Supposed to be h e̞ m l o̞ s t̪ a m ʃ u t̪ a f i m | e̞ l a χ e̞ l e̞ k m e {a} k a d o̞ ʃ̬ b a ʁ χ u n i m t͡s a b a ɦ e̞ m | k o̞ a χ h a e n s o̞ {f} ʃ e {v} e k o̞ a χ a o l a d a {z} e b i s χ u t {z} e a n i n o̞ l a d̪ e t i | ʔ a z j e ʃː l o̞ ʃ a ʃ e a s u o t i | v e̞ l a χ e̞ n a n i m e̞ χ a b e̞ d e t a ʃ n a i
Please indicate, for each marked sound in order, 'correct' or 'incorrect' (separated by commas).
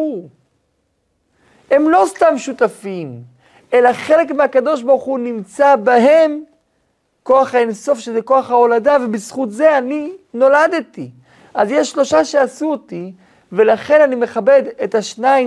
correct, correct, incorrect, incorrect, correct